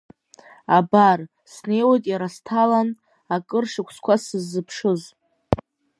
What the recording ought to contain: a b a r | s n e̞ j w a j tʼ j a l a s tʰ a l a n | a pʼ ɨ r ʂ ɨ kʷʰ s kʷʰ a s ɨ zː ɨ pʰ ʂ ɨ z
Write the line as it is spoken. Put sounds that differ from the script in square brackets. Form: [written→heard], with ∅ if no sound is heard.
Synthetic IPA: a b a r | s n e̞ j w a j tʼ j a [l→ɾ] a s tʰ a l a n | a [pʼ→kʼ] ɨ r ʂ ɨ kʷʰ s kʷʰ a s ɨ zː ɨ pʰ ʂ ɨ z

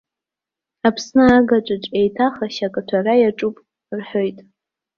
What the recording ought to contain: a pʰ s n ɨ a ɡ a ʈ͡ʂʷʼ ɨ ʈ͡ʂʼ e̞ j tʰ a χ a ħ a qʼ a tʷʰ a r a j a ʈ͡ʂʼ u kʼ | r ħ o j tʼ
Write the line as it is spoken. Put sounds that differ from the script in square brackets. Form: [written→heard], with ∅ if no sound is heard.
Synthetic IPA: a pʰ s n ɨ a ɡ a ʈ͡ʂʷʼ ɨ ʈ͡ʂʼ e̞ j tʰ a χ a [ħ→ʃ] a [qʼ→kʼ] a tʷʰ a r a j a ʈ͡ʂʼ u [kʼ→pʼ] | r ħ o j tʼ

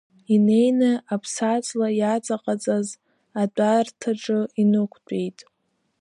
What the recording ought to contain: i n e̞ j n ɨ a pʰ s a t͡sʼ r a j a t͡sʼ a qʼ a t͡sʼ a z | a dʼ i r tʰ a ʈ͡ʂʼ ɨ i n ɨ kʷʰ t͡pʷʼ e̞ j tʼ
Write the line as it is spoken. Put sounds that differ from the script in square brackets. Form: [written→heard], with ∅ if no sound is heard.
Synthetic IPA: i n e̞ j n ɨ a pʰ s a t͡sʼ [r→l] a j a t͡sʼ a qʼ a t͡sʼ a z | a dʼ [i→a] r tʰ a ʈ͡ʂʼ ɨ i n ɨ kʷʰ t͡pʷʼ e̞ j tʼ

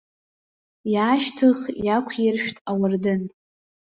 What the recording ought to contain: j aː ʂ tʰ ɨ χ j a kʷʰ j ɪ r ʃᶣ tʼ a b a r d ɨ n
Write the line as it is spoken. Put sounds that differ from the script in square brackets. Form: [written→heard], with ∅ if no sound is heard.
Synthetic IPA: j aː [ʂ→ʃ] tʰ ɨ χ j a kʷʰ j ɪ r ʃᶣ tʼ a [b→w] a r d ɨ n

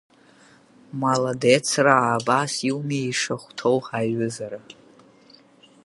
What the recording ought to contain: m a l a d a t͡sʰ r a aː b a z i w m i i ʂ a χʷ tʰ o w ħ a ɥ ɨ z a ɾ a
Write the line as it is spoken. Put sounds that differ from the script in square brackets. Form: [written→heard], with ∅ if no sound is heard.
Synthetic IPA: m a l a d [a→e] t͡sʰ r a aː b a [z→s] i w m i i ʂ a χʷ tʰ o w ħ a ɥ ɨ z a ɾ a

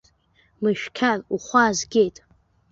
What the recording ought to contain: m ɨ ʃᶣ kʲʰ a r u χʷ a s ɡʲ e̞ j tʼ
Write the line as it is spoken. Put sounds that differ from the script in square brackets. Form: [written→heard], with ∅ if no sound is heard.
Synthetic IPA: m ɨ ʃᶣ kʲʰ a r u χʷ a [s→z] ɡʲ e̞ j tʼ

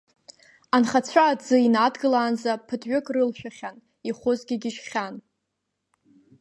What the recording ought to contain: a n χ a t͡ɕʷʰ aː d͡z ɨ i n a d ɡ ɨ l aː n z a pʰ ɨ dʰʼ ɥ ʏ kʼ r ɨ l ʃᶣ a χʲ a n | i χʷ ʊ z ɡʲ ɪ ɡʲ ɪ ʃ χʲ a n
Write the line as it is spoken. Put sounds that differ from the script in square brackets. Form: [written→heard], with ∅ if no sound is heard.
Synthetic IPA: a n χ a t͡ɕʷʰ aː d͡z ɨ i n a d ɡ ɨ l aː n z a pʰ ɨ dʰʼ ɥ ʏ kʼ r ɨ l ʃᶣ a χʲ a n | i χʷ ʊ z ɡʲ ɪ ɡʲ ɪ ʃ χʲ a n

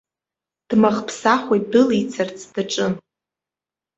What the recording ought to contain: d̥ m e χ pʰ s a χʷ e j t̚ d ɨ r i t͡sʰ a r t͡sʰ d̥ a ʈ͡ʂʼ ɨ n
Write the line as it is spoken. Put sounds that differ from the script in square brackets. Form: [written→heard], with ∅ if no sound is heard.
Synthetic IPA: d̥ m [e→a] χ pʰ s a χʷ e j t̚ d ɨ [r→l] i t͡sʰ a r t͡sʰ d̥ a ʈ͡ʂʼ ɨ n

